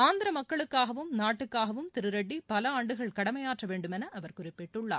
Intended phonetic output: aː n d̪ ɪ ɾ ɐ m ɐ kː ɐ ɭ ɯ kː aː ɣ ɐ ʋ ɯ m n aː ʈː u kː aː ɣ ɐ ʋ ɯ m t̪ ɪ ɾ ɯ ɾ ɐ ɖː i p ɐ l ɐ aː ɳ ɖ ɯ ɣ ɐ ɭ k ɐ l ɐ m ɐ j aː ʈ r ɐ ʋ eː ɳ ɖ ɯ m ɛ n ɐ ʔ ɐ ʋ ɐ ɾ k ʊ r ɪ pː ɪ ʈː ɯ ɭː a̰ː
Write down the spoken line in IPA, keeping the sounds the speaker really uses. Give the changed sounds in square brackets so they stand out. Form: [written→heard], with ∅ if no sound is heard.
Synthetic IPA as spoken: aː n d̪ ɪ ɾ ɐ m ɐ kː ɐ ɭ ɯ kː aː ɣ ɐ ʋ ɯ m n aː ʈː [u→ɯ] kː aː ɣ ɐ ʋ ɯ m t̪ ɪ ɾ ɯ ɾ ɐ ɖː i p ɐ l ɐ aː ɳ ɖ ɯ ɣ ɐ ɭ k ɐ [l→ɽ] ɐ m ɐ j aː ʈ r ɐ ʋ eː ɳ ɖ ɯ m ɛ n ɐ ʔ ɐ ʋ ɐ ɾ k ʊ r ɪ pː ɪ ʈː ɯ ɭː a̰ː